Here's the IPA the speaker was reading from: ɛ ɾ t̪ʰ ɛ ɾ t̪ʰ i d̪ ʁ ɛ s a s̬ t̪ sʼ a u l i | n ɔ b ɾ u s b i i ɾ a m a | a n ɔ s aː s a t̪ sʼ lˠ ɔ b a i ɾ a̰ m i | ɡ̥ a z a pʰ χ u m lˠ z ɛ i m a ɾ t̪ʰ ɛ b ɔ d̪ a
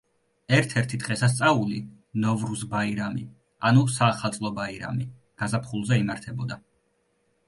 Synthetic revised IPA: ɛ ɾ t̪ʰ ɛ ɾ t̪ʰ i d̪ ʁ ɛ s a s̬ t̪ sʼ a u l i | n ɔ v ɾ u s b a i ɾ a m i | a n u s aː χ a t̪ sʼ lˠ ɔ b a i ɾ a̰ m i | ɡ̥ a z a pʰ χ u lˠ z ɛ i m a ɾ t̪ʰ ɛ b ɔ d̪ a